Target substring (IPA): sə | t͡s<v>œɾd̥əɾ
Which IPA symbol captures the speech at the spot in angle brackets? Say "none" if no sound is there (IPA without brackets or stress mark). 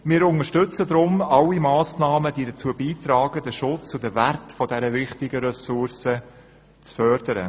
f